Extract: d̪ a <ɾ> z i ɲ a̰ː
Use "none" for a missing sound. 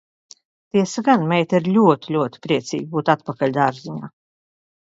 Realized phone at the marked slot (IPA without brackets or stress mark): ɾ